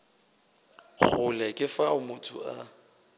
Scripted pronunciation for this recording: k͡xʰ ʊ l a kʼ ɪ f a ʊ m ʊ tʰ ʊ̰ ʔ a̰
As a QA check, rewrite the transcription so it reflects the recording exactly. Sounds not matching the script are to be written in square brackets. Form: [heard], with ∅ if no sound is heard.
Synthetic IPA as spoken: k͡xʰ ʊ l [ɛ] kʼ ɪ f a ʊ m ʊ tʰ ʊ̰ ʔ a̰

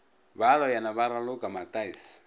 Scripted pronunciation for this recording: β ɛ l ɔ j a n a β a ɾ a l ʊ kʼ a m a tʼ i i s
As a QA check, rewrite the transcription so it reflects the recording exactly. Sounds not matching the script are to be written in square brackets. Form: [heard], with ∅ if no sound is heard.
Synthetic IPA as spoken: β [a] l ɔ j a n a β a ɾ a l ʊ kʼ a m a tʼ [a] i s

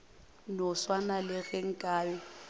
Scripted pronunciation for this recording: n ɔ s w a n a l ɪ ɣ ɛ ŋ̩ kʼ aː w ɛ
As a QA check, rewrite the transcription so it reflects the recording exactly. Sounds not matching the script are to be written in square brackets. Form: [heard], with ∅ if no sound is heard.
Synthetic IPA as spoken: n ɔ s w a n a l ɪ ɣ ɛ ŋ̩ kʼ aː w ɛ

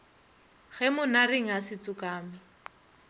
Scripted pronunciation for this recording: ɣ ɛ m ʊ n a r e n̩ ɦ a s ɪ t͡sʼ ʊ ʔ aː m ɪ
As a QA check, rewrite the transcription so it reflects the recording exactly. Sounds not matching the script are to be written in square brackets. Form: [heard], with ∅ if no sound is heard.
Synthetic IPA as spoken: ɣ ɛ m ʊ n a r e [ŋ̩] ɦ a s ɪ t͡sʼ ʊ [k] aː m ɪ

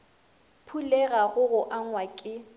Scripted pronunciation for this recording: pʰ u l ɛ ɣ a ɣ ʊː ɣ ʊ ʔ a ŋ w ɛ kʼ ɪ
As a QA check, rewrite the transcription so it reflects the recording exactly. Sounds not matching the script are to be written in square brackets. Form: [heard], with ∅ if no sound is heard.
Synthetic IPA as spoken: pʰ u l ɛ ɣ a ɣ [ʊ] ɣ ʊ ʔ a ŋ w [a] kʼ ɪ

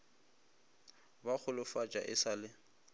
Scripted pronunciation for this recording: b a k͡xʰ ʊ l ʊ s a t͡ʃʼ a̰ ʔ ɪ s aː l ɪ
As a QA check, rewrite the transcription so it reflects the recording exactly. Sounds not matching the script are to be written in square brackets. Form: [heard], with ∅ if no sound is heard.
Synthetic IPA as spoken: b a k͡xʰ ʊ l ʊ [f] a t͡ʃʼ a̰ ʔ ɪ s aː l ɪ

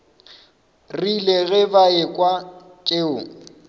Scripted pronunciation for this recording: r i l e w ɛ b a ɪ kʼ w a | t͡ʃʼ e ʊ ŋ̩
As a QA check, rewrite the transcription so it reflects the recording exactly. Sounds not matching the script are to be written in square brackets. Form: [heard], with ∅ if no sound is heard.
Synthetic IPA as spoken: r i l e [ɣ] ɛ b a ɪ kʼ w a | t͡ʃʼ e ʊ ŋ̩

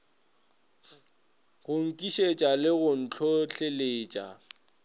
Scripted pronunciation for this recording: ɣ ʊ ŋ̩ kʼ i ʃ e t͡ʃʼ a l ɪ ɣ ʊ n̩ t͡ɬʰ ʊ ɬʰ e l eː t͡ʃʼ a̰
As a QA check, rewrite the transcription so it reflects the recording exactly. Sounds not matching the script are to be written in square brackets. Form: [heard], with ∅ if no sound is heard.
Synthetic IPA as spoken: ɣ ʊ ŋ̩ kʼ i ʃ e t͡ʃʼ a l ɪ ɣ ʊ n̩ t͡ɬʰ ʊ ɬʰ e l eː t͡ʃʼ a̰

